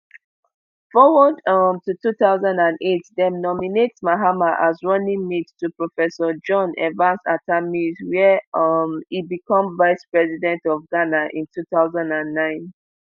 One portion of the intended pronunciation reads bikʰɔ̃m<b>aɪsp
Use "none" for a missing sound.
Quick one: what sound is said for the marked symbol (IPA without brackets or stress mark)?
v